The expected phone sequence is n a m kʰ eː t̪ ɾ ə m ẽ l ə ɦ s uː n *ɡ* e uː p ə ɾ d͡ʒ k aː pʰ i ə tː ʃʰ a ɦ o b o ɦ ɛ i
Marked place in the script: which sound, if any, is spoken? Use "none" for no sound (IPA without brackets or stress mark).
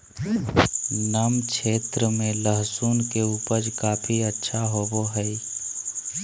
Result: k